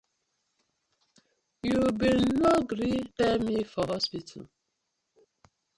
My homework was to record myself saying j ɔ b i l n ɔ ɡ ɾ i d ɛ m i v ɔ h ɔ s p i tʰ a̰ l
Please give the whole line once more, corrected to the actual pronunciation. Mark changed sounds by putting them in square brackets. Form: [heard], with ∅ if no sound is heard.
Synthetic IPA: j [u] b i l n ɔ ɡ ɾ i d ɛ m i [f] ɔ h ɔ s p i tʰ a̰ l

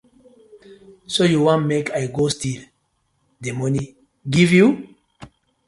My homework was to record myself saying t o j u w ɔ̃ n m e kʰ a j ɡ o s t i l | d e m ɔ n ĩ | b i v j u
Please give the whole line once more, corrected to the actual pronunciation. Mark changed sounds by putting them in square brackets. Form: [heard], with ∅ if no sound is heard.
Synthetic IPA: [s] o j u w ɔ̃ n m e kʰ a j ɡ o s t i l | d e m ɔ n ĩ | [ɡ] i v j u

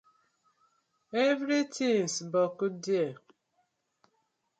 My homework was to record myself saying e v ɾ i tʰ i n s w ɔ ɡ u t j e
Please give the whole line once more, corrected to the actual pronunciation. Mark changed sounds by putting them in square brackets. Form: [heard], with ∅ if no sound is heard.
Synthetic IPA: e v ɾ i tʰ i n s [b] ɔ [k] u [d] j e

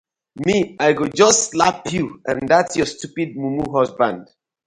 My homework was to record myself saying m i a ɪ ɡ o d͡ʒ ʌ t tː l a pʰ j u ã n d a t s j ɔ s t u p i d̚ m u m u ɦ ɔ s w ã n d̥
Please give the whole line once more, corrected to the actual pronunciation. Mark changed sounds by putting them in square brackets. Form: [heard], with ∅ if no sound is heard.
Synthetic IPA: m i a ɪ ɡ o d͡ʒ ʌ [s] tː l a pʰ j u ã n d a t s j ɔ s t u p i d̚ m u m u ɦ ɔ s [b] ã n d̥

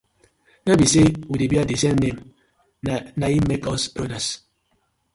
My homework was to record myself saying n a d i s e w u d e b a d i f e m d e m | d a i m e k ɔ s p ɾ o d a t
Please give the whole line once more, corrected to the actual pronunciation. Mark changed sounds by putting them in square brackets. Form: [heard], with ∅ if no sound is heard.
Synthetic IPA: n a [b] i s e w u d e b a d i [s] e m [n] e m | [n] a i m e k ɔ s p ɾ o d a [s]

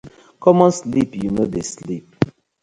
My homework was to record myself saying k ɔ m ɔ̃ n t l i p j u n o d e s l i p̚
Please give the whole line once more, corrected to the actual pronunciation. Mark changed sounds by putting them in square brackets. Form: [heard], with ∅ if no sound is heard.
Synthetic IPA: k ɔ m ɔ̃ n [s] l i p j u n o d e s l i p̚

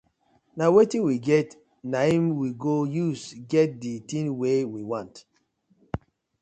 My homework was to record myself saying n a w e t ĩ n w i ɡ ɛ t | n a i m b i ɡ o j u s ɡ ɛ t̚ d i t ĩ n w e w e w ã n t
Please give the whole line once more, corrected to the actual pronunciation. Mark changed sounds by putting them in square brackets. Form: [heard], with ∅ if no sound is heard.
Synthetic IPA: n a w e t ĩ n w i ɡ ɛ t | n a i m [w] i ɡ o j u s ɡ ɛ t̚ d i t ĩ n w e w [i] w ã n t

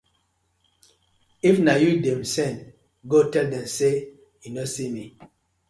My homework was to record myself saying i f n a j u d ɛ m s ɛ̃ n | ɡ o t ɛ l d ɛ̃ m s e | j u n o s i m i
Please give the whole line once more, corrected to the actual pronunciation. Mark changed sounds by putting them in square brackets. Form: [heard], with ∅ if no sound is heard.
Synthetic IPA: i f n a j u d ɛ m s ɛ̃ n | ɡ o t ɛ l d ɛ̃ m s e | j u n o s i m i

